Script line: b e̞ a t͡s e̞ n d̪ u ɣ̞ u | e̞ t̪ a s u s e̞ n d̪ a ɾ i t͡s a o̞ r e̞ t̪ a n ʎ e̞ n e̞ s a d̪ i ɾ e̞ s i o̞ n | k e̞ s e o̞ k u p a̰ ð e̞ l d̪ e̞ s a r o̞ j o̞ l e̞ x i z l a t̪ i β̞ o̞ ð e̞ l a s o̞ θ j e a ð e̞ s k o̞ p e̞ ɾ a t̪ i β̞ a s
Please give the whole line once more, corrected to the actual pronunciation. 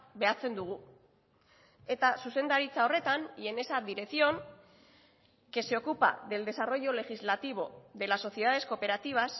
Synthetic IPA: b e̞ a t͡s e̞ n d̪ u ɣ̞ u | e̞ t̪ a s u s e̞ n d̪ a ɾ i t͡s a o̞ r e̞ t̪ a n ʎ e̞ n e̞ s a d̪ i ɾ e̞ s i o̞ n | k e̞ s e o̞ k u p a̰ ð e̞ l d̪ e̞ s a r o̞ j o̞ l e̞ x i z l a t̪ i β̞ o̞ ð e̞ l a s o̞ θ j e a ð e̞ s k o̞ p e̞ ɾ a t̪ i β̞ a s